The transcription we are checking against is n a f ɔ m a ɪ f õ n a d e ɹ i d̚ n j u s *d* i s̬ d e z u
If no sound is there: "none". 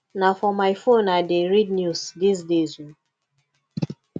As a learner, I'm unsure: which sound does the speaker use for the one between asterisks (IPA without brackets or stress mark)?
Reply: d